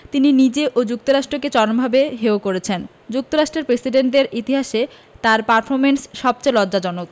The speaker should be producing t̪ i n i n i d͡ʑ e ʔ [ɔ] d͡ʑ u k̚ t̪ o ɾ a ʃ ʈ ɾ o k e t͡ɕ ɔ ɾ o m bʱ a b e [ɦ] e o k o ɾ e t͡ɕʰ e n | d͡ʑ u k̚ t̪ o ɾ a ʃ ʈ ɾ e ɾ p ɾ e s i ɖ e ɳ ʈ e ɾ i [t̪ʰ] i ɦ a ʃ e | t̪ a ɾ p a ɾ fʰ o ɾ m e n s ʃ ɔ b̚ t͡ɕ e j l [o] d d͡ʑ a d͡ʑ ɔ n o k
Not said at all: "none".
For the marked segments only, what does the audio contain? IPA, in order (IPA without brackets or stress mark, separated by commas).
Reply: o, ɦ, t̪, ɔ